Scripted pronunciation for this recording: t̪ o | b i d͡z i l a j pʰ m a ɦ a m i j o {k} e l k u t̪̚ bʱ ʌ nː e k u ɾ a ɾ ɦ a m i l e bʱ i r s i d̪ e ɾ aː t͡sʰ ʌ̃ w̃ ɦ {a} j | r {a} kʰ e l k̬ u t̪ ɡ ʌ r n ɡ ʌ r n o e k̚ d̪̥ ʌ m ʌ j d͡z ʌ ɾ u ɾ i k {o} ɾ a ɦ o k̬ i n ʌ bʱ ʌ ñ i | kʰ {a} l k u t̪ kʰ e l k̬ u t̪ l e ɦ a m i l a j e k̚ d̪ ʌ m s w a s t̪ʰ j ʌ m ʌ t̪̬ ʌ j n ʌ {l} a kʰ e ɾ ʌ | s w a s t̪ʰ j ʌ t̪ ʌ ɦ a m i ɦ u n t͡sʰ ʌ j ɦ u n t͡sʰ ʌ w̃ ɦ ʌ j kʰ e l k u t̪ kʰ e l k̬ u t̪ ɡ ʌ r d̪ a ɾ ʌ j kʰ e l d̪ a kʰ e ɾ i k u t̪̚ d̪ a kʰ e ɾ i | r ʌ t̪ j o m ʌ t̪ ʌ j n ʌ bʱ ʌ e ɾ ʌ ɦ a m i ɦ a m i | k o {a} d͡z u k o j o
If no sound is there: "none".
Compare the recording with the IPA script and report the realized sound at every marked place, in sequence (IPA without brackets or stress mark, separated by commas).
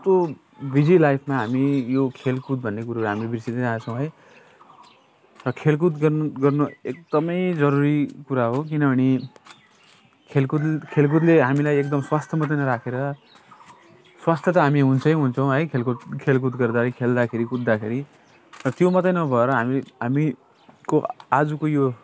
kʰ, ʌ, ʌ, u, e, ɾ, a